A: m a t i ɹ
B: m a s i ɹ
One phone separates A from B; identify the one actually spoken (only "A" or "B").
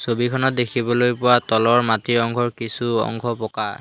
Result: A